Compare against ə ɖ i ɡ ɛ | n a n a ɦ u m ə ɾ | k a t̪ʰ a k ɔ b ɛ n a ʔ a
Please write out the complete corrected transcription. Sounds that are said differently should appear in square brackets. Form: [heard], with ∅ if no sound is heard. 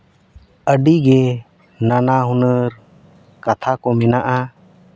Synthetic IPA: ə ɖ i ɡ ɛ | n a n a ɦ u [n] ə ɾ | k a t̪ʰ a k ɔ [m] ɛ n a ʔ a